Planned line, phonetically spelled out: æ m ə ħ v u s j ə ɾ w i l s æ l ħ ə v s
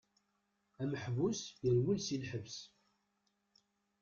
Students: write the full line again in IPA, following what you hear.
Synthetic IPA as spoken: æ m ə ħ v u s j ə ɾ w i l s i l ħ ə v s